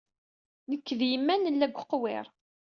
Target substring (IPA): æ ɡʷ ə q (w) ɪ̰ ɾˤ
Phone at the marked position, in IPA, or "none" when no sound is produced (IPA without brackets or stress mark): w